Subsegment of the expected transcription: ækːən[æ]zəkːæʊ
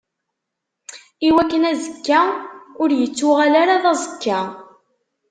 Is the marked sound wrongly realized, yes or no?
no